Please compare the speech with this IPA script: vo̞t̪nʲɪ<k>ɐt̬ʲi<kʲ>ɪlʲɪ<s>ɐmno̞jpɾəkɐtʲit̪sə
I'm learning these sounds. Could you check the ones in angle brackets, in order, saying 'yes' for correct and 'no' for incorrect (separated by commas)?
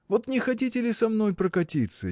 no, no, yes